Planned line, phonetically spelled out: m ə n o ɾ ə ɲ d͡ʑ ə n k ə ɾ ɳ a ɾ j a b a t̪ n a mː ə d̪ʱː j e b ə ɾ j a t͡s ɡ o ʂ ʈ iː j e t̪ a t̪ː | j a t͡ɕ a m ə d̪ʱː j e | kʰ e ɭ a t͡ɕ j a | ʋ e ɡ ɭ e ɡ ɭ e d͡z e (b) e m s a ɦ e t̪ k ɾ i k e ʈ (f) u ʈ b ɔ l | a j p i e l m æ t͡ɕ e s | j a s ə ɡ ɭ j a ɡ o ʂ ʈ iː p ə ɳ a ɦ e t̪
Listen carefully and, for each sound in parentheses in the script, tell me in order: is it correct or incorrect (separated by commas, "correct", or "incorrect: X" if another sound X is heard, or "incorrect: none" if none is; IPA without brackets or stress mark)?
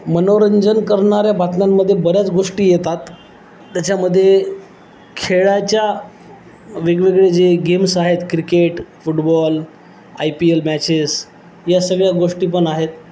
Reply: incorrect: ɡ, correct